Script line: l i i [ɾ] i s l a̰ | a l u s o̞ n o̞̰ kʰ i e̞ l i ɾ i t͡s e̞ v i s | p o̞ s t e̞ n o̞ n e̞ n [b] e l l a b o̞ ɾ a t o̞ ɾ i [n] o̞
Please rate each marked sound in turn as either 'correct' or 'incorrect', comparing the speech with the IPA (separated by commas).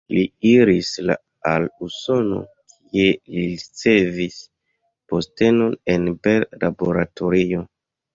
correct, correct, incorrect